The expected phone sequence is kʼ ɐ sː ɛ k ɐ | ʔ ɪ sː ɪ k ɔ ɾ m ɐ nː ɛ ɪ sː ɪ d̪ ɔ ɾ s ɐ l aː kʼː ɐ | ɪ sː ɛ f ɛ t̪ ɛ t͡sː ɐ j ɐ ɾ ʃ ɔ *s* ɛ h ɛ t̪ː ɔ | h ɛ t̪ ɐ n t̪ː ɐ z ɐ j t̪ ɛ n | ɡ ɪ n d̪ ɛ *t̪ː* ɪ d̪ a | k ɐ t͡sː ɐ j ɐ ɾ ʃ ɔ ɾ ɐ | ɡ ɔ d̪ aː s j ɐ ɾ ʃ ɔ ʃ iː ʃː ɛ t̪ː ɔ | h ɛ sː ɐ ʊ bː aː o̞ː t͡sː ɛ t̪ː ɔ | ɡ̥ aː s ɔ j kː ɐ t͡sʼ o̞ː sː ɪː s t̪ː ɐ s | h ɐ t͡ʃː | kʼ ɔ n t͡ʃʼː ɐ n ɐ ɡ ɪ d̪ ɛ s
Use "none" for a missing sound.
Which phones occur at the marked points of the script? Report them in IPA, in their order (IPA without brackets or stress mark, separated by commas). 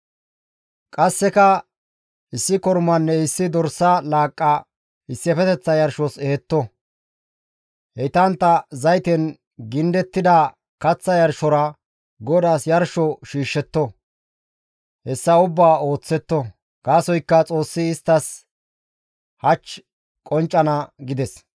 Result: s, t̪ː